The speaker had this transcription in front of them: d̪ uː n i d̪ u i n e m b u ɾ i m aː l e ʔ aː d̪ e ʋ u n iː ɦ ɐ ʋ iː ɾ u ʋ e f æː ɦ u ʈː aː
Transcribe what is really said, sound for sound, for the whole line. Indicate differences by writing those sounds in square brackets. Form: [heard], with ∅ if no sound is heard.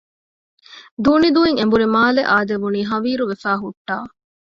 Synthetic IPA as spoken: d̪ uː n i d̪ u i [ŋ] e m b u ɾ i m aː l e ʔ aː d̪ e ʋ u n iː ɦ ɐ ʋ iː ɾ u ʋ e f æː ɦ u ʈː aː

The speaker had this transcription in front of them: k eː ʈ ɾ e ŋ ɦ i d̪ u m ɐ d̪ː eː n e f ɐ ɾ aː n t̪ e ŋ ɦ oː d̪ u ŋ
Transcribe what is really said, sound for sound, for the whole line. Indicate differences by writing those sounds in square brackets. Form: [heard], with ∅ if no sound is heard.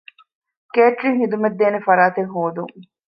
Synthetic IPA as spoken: k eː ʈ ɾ [i] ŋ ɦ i d̪ u m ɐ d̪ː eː n e f ɐ ɾ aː [∅] t̪ e ŋ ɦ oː d̪ u ŋ

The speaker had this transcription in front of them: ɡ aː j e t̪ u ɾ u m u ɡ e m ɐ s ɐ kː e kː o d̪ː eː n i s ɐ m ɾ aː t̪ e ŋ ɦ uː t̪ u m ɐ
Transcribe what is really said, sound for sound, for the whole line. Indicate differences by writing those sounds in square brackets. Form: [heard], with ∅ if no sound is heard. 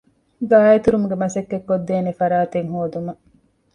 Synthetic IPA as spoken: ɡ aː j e t̪ u ɾ u m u ɡ e m ɐ s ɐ kː e kː o d̪ː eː n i [f] ɐ [∅] ɾ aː t̪ e ŋ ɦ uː [d̪] u m ɐ

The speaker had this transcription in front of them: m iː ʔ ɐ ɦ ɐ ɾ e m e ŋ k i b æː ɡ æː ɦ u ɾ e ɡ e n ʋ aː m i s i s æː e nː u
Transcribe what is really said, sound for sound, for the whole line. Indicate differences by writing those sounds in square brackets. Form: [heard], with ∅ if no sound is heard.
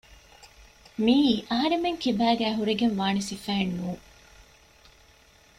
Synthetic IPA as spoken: m iː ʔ ɐ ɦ ɐ ɾ e m e ŋ k i b æː ɡ æː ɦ u ɾ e ɡ e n ʋ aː [n] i s i [f] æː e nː [uː]

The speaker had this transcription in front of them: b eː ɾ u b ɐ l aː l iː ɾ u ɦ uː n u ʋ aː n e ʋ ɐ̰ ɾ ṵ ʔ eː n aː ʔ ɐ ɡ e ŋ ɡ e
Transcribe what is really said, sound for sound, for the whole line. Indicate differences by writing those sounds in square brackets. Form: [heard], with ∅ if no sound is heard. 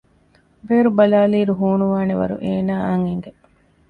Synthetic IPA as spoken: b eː ɾ u b ɐ l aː l iː ɾ u ɦ uː n u ʋ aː n e ʋ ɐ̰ ɾ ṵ ʔ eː n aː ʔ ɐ [ŋ] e ŋ ɡ e

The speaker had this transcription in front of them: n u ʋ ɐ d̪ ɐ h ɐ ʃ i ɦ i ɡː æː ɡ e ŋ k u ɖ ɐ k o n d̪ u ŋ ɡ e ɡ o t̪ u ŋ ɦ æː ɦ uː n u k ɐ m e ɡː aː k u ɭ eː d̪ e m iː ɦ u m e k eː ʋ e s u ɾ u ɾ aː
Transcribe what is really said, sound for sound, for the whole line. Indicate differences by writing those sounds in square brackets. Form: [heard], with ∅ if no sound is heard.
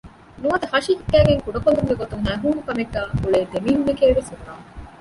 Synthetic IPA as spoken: n u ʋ ɐ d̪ ɐ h ɐ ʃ i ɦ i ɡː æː ɡ e ŋ k u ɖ ɐ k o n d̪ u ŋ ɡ e ɡ o t̪ u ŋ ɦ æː ɦ uː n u k ɐ m e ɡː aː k u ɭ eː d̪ e m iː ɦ u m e k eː ʋ e s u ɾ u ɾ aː

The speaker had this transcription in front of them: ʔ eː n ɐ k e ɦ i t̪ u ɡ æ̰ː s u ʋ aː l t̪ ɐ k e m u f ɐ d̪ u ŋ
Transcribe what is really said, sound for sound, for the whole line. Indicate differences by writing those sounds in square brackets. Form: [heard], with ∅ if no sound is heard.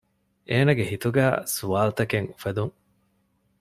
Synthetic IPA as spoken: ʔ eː n ɐ [ɡ] e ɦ i t̪ u ɡ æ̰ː s u ʋ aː l t̪ ɐ k e [ŋ] u f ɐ d̪ u ŋ

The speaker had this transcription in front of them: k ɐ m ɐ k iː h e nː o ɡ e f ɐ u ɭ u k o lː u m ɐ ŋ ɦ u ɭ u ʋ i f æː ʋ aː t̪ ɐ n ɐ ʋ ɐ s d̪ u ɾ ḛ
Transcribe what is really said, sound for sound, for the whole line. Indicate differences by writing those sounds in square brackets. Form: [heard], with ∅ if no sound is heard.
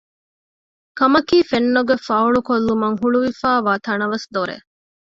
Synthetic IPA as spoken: k ɐ m ɐ k iː [f] e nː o ɡ e f ɐ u ɭ u k o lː u m ɐ ŋ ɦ u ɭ u ʋ i f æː ʋ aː t̪ ɐ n ɐ ʋ ɐ s d̪ [o] ɾ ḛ

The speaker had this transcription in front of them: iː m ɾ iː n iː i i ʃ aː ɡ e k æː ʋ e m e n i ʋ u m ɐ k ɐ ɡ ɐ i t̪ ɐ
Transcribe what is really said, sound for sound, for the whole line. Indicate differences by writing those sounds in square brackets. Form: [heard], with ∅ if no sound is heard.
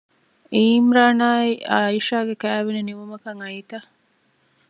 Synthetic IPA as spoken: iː m ɾ [aː] n [aː] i i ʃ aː ɡ e k æː ʋ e [n] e n i ʋ u m ɐ k ɐ [ŋ] ɐ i t̪ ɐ

